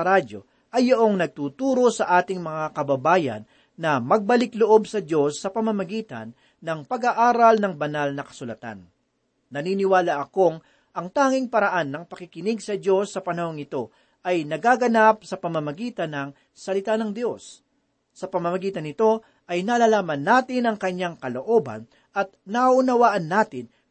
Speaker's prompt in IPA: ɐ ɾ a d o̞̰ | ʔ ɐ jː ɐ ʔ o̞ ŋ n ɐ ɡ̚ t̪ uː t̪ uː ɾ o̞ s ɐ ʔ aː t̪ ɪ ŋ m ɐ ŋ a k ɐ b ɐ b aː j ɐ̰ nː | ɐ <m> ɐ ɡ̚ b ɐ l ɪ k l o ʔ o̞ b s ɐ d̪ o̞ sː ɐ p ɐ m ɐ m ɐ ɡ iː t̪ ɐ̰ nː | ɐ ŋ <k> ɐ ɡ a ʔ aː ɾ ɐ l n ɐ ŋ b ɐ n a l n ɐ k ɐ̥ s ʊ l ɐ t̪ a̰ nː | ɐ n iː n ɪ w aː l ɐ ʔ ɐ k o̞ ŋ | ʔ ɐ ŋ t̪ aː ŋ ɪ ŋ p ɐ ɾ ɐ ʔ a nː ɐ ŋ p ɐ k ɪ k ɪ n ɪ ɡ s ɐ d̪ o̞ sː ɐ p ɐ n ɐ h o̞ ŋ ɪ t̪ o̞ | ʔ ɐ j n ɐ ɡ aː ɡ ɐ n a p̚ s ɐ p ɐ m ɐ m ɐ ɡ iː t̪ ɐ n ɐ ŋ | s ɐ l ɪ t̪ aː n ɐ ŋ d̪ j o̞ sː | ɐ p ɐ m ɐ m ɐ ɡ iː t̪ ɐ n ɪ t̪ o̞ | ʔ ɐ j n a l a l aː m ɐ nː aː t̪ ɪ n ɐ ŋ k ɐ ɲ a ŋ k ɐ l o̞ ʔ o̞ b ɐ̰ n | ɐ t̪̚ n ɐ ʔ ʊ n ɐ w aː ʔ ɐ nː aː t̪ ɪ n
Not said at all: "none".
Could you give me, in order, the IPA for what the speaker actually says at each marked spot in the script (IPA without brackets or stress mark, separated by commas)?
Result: m, p